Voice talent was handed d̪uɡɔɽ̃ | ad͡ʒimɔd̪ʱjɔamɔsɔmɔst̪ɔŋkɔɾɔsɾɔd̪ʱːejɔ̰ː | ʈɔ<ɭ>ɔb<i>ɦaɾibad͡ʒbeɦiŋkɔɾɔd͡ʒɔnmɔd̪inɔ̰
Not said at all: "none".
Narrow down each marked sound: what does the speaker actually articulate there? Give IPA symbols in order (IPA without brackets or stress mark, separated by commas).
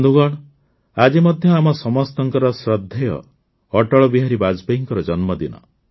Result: ɭ, i